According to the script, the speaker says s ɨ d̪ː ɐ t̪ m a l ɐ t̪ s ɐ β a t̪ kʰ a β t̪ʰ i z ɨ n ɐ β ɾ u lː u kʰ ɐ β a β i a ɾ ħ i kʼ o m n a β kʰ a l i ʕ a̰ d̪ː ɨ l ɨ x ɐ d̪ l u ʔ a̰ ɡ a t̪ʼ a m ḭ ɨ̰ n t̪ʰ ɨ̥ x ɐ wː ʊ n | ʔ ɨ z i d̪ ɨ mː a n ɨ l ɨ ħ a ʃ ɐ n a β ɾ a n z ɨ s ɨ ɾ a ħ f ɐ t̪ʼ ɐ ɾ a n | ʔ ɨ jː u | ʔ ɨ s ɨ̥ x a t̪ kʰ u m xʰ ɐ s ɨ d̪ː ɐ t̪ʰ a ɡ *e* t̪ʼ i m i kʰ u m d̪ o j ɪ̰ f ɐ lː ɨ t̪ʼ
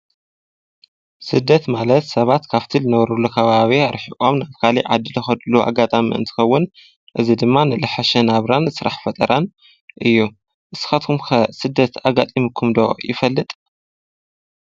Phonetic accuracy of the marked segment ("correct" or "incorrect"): incorrect